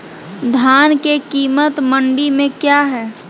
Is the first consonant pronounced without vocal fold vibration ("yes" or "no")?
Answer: no